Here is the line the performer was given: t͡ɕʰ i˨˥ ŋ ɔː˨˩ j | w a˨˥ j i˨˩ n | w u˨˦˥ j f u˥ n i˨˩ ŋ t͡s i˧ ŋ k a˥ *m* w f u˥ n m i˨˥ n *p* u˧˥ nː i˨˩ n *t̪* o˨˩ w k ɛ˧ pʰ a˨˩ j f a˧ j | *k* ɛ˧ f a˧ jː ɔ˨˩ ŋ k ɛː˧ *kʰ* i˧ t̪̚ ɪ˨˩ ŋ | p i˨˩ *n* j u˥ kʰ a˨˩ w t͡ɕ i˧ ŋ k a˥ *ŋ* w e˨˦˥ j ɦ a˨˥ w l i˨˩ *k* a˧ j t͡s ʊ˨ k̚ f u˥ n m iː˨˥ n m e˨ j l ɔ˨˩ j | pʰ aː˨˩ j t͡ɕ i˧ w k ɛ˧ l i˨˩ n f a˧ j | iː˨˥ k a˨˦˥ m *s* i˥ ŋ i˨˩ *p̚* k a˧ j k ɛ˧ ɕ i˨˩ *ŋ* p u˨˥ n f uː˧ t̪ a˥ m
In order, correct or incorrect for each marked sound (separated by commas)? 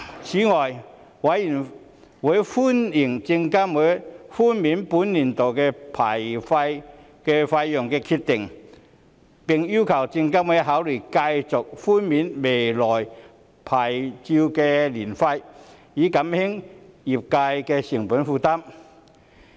correct, correct, correct, correct, correct, incorrect, incorrect, correct, incorrect, correct, correct